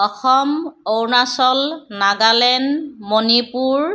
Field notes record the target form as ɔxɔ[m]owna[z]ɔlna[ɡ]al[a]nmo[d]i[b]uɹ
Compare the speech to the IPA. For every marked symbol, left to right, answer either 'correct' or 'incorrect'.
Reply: correct, incorrect: s, correct, incorrect: ɛ, incorrect: n, incorrect: p

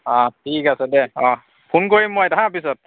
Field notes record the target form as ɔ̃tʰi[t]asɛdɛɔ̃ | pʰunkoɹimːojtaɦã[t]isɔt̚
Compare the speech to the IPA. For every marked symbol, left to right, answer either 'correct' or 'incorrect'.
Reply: incorrect: k, incorrect: p

